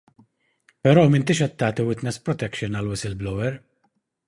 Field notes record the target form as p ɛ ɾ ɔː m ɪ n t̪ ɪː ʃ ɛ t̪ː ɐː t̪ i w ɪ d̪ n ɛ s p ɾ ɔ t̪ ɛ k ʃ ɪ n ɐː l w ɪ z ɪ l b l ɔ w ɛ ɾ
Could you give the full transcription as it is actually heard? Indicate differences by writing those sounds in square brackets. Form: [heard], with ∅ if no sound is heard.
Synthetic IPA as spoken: p ɛ ɾ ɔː m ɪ n t̪ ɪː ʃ ɛ t̪ː ɐː t̪ i w ɪ [t̪] n ɛ s p ɾ ɔ t̪ ɛ k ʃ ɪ n [ɐ] l w ɪ [s] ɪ l b l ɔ w ɛ ɾ